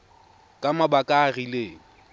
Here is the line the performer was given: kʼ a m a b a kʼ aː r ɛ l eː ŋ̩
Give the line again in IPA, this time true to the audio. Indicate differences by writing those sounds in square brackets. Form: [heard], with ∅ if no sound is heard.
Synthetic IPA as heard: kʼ a m a b a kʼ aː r [i] l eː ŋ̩